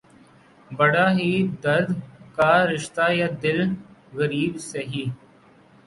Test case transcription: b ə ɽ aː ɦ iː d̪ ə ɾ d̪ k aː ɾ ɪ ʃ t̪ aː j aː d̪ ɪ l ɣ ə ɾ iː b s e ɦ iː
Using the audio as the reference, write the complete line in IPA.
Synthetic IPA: b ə ɽ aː ɦ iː d̪ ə ɾ d̪ k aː ɾ ɪ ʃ t̪ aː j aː d̪ ɪ l ɣ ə ɾ iː b s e ɦ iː

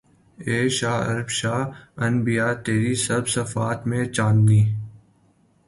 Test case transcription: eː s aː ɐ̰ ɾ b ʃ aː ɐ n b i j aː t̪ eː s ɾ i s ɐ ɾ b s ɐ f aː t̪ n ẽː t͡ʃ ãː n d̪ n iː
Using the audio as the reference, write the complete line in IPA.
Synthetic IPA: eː ʃ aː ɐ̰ ɾ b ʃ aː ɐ n b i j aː t̪ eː ɾ i s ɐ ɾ b s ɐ f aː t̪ m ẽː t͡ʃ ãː n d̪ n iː

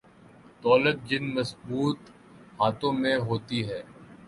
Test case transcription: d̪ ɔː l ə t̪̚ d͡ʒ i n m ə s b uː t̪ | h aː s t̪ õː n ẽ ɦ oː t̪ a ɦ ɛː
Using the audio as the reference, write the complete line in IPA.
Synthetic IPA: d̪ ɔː l ə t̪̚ d͡ʒ ɪ n m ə s b uː t̪ | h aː t̪ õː m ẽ ɦ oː t̪ i ɦ ɛː

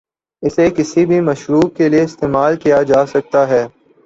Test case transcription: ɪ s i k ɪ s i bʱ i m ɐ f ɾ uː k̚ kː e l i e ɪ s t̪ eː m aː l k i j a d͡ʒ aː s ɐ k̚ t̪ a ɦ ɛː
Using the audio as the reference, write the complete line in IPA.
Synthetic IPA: ɪ s e k ɪ s i bʱ i m ɐ ʃ ɾ uː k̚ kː e l i e ɪ s t̪ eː m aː l k i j a d͡ʒ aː s ɐ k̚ t̪ a ɦ ɛː

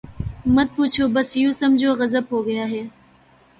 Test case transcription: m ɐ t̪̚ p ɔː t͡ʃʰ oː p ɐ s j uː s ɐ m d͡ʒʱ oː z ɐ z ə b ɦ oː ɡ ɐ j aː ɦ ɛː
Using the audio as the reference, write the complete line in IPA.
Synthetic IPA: m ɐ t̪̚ p uː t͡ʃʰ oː b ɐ s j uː s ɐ m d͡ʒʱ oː ɣ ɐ z ə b ɦ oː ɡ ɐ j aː ɦ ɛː

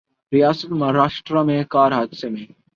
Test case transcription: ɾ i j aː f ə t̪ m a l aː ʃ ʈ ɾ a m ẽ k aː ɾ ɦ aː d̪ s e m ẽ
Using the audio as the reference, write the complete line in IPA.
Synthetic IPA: ɾ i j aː s ə t̪ m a ɾ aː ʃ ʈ ɾ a m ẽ k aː ɾ ɦ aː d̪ s e m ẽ

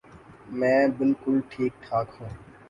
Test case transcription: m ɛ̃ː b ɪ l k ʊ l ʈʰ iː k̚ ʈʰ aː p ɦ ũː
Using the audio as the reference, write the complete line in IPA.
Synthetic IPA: m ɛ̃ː b ɪ l k ʊ l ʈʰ iː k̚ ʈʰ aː k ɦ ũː

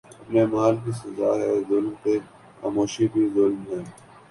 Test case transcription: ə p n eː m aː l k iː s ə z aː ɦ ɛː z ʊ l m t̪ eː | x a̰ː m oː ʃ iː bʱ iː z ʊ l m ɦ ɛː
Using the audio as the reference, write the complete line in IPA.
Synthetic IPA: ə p n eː m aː l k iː s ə z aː ɦ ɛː z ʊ l m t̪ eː | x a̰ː m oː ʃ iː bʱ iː z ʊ l m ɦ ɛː

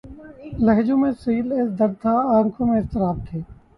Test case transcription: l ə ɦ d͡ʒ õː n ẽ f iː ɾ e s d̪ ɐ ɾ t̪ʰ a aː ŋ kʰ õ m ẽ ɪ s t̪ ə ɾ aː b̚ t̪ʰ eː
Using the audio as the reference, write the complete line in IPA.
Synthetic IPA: l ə ɦ d͡ʒ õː m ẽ s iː l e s d̪ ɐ ɾ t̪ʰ a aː ŋ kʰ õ m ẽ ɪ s t̪ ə ɾ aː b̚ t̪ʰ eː

